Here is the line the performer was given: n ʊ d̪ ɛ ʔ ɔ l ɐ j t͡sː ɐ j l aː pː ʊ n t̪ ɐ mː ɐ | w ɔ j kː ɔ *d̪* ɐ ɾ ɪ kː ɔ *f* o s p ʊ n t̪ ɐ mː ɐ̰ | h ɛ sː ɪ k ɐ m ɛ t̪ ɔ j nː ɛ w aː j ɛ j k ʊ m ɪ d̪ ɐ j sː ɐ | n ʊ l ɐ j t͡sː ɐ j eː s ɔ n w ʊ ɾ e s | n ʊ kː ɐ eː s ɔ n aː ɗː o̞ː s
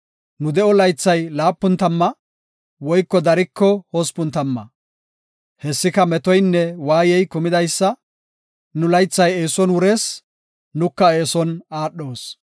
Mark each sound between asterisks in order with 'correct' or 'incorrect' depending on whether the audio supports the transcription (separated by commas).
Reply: correct, incorrect